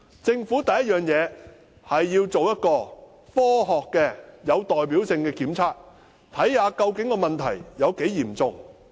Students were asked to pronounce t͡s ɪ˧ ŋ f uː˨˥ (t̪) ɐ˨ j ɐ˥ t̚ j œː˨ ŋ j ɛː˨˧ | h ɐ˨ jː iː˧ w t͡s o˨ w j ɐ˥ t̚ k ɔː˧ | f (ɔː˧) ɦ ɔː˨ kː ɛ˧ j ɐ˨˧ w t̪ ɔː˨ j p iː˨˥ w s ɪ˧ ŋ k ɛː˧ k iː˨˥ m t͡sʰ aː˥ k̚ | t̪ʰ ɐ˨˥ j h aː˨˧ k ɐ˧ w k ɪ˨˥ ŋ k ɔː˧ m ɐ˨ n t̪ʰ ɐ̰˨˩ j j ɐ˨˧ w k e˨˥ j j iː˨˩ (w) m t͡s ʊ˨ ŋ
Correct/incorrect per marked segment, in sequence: correct, incorrect, incorrect

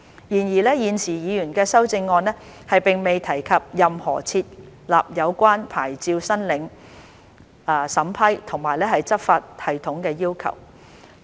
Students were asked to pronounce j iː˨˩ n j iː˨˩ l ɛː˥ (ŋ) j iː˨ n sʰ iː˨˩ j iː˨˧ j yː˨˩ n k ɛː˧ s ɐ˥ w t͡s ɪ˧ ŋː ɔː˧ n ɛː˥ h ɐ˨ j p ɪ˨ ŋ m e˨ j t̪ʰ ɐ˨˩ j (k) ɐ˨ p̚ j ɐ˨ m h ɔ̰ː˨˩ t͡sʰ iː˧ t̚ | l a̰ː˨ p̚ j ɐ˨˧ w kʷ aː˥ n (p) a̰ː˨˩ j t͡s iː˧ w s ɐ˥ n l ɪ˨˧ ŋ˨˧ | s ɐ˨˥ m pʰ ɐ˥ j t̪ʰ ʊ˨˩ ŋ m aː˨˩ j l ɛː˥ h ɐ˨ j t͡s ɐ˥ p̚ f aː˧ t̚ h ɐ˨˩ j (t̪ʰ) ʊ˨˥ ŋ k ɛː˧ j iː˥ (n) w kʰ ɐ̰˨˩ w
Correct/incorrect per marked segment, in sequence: incorrect, incorrect, incorrect, correct, incorrect

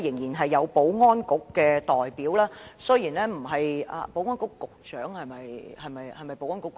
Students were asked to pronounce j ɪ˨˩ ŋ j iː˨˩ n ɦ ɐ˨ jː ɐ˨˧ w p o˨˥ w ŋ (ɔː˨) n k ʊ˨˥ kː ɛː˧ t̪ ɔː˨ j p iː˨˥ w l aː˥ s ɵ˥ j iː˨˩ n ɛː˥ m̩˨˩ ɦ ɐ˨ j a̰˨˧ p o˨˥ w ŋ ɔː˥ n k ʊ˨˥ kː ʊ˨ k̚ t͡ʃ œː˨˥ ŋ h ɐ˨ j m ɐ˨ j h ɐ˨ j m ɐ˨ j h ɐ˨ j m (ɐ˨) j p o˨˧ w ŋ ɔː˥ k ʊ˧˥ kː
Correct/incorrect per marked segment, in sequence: incorrect, correct

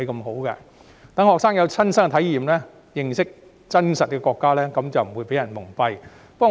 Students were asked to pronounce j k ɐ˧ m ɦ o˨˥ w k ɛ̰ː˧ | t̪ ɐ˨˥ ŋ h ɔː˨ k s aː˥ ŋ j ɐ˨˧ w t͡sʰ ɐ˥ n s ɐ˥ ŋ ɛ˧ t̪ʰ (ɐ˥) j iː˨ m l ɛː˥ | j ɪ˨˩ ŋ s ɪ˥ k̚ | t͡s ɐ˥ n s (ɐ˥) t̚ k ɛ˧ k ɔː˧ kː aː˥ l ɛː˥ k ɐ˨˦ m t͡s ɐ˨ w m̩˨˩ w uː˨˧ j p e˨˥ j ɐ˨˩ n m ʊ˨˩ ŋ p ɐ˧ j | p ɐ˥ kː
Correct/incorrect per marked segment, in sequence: incorrect, incorrect

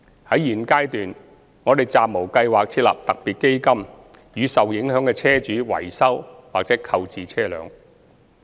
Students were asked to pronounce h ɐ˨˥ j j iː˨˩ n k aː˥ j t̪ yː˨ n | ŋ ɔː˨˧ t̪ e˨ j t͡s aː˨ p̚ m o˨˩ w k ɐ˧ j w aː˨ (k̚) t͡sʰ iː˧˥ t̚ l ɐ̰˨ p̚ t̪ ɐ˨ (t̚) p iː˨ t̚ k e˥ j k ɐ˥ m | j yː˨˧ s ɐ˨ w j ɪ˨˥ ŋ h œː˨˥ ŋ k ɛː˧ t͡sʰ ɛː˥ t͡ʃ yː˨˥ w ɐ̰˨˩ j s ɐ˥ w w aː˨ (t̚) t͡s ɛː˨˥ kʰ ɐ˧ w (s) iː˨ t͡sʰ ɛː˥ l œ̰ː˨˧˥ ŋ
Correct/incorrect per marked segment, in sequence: correct, incorrect, incorrect, incorrect

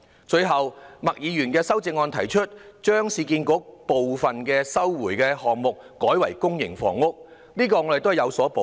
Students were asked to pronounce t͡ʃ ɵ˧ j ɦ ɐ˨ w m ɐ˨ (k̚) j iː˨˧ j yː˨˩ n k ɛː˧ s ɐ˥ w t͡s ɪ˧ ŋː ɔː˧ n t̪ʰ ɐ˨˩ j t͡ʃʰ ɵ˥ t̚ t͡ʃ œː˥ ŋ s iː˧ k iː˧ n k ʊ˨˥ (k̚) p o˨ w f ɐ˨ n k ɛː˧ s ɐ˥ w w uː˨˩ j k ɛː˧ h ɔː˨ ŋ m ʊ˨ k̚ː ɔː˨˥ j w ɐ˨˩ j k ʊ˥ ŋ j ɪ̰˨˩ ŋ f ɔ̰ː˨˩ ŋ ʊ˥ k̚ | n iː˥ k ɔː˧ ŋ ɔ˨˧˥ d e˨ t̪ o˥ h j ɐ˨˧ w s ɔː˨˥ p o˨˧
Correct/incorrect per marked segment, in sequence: correct, correct

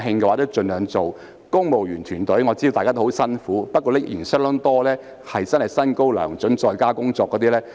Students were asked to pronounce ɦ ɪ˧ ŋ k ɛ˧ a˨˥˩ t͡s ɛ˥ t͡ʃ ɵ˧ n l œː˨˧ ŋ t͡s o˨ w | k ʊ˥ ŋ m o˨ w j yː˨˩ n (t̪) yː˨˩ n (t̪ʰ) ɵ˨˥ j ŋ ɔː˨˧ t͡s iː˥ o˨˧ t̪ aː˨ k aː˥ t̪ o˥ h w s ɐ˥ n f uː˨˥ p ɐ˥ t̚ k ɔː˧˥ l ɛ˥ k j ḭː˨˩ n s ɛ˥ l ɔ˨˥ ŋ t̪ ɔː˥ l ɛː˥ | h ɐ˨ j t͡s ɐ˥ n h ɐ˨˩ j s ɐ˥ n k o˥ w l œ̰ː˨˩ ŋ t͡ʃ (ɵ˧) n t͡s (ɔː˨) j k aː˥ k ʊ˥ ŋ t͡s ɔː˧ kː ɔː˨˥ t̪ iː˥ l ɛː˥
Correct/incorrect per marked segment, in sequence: incorrect, incorrect, incorrect, correct

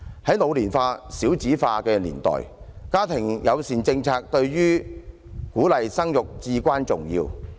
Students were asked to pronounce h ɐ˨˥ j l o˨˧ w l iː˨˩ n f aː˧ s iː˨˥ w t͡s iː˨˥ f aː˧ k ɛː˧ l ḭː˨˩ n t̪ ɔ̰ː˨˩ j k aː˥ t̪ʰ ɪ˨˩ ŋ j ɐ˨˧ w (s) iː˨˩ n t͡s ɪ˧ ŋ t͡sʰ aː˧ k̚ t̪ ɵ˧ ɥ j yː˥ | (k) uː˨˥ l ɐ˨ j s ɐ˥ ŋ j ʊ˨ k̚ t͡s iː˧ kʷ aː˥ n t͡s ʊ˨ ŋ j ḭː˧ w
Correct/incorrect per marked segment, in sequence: correct, correct

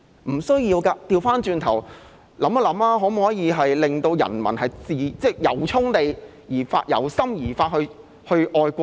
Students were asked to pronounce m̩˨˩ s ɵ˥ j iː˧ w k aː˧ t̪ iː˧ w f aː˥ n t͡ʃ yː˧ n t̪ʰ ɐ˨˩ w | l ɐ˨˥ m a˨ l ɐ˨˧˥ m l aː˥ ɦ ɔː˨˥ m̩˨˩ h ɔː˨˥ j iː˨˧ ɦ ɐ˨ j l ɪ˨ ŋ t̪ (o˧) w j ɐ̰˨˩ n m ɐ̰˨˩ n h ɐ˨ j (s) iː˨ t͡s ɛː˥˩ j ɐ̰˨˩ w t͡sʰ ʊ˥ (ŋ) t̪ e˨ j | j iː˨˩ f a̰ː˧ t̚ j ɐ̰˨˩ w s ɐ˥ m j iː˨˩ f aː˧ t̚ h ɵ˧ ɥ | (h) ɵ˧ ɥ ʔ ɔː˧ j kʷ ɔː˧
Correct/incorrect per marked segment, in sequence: correct, incorrect, correct, correct

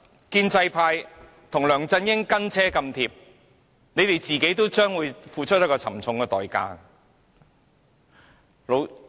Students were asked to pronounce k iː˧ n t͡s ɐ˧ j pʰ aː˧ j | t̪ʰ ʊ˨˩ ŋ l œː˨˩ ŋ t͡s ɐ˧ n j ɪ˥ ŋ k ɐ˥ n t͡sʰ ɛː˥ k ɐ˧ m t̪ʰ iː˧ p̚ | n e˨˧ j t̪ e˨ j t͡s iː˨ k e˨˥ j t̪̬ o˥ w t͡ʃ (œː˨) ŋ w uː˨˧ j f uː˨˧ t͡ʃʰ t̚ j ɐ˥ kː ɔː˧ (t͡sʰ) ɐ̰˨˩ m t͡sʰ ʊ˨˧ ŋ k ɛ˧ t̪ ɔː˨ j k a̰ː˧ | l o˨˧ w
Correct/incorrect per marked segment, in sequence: incorrect, correct

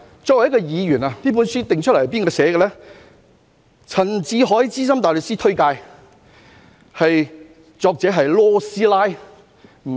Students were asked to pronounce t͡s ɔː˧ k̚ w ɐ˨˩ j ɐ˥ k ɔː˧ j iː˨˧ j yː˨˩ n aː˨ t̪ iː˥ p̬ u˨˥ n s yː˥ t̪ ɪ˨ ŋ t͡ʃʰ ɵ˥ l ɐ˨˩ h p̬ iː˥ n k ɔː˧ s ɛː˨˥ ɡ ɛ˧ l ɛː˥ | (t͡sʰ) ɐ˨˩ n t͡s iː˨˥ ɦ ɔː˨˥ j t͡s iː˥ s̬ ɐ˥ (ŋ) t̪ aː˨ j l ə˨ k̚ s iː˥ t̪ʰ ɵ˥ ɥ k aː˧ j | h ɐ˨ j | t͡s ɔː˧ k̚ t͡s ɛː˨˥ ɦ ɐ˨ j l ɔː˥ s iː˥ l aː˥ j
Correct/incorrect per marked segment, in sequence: correct, incorrect

